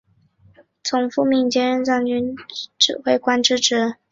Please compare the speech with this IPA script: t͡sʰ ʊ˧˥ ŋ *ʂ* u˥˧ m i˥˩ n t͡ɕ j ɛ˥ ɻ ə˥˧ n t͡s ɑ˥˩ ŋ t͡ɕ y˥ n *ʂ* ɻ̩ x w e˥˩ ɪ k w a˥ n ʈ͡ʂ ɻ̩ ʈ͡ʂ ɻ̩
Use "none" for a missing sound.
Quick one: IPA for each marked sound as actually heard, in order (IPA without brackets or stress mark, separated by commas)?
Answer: f, ʈ͡ʂ